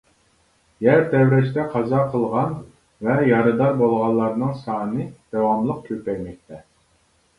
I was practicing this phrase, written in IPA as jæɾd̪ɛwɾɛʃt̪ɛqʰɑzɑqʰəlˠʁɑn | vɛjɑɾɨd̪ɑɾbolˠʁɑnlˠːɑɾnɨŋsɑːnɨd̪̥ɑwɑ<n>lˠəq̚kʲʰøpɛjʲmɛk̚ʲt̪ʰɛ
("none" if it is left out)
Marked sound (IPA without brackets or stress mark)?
m